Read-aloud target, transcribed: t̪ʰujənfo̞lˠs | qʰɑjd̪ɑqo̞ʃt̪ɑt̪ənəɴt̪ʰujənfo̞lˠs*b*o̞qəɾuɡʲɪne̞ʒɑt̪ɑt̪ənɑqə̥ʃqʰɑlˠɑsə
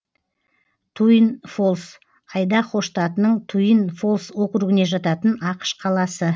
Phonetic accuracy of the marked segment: incorrect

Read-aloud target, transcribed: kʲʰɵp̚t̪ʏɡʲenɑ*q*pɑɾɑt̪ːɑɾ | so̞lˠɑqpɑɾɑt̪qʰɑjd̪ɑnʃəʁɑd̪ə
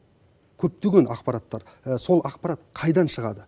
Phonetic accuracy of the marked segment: correct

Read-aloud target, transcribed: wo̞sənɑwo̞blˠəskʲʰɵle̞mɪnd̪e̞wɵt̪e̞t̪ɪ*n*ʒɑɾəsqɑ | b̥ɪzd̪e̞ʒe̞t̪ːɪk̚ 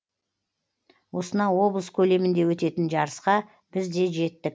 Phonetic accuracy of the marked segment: correct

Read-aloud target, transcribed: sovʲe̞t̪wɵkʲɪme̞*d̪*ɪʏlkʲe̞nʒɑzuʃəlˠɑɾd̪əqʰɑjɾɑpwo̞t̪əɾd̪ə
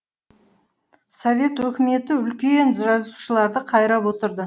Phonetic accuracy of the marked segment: incorrect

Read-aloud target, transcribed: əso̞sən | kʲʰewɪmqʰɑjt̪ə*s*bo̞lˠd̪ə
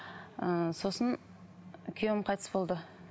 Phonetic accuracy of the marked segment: correct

